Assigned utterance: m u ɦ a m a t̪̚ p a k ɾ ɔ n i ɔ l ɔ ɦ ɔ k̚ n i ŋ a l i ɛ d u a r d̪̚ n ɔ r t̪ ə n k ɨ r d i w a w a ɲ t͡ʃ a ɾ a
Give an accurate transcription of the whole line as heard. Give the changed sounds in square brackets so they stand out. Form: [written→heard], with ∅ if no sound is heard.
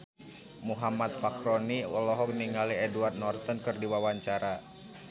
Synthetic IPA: m u ɦ a m a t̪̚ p a k ɾ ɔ n i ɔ l ɔ ɦ ɔ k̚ n i ŋ a l i ɛ d u a r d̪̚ n ɔ r t̪ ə n k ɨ r d i w a w a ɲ t͡ʃ a ɾ a